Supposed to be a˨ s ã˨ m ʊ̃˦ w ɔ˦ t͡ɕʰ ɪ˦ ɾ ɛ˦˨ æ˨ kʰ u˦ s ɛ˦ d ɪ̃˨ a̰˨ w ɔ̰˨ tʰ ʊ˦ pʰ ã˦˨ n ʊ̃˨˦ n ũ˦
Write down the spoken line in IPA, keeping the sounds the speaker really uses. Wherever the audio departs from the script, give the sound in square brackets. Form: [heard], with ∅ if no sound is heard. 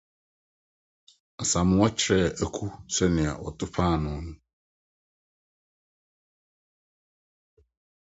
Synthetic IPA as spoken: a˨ s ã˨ m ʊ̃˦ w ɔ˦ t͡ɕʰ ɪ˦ ɾ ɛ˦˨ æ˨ kʰ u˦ s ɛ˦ [n] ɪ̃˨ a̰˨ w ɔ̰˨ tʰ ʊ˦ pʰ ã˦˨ n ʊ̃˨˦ n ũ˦